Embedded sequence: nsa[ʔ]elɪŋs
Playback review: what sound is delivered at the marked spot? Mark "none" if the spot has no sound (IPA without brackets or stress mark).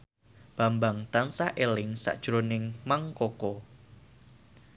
ʔ